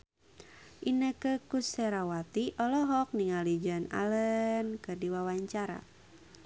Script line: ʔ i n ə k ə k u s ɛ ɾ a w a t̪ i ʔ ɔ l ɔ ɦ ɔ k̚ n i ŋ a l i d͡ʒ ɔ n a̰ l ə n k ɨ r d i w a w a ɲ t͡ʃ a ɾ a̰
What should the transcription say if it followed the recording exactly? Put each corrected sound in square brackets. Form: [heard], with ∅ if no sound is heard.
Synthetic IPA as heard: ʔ i n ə k ə k u s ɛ ɾ a w a t̪ i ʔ ɔ l ɔ ɦ ɔ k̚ n i ŋ a l i d͡ʒ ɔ n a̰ l ə n k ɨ r d i w a w a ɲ t͡ʃ a ɾ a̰